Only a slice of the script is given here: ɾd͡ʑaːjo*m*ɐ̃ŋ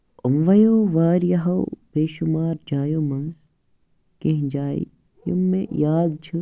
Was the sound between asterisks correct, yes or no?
yes